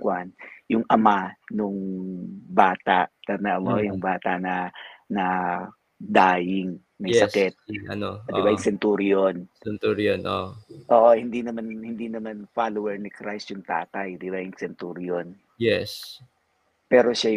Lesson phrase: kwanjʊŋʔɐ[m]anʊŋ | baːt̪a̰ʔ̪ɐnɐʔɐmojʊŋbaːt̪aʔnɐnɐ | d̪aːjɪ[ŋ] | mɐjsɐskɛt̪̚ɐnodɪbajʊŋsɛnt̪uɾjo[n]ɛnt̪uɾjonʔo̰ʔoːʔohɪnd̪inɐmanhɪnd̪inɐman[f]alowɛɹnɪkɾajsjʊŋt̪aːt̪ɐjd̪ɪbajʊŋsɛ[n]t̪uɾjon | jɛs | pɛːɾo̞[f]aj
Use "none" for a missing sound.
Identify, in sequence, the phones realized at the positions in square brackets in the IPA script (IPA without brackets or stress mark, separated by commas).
m, ŋ, n, f, n, ʃ